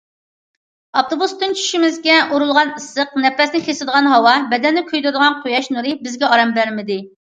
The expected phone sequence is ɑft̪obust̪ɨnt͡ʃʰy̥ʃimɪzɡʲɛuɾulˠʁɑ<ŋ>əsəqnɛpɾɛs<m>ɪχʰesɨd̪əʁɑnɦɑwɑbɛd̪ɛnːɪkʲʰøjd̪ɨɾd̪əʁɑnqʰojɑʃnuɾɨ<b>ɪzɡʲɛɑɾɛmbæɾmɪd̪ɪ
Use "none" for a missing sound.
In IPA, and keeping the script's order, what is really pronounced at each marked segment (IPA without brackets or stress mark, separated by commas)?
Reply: n, n, b